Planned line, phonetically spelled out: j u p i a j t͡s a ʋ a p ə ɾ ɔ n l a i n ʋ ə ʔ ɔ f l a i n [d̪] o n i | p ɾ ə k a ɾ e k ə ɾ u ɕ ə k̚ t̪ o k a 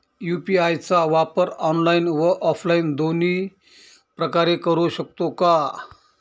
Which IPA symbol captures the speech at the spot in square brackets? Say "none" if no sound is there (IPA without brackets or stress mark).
d̪